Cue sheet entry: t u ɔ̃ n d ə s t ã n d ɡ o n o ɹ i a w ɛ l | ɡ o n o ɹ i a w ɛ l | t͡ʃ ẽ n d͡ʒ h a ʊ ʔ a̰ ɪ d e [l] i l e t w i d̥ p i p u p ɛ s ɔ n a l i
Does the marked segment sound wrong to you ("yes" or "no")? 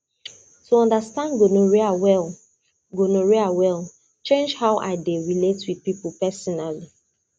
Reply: yes